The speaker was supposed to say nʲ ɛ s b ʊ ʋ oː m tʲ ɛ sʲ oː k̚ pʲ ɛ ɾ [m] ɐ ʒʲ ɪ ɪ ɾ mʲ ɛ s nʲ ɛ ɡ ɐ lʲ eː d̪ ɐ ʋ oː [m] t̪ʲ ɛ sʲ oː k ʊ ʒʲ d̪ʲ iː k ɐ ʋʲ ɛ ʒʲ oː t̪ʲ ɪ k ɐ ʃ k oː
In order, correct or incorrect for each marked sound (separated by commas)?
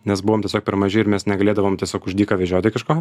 correct, correct